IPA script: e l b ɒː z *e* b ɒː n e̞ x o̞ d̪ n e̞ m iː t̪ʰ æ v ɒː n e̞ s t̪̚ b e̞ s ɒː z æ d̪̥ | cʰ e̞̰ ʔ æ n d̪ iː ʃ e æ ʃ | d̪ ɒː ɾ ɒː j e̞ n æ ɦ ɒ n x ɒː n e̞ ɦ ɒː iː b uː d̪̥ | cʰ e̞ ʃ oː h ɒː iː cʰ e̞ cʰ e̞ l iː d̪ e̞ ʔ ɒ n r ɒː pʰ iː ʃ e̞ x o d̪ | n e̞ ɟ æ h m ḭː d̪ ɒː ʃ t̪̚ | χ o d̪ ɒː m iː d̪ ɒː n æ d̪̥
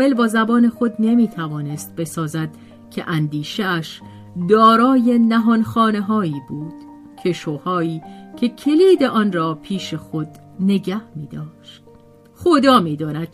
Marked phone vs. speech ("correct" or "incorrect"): incorrect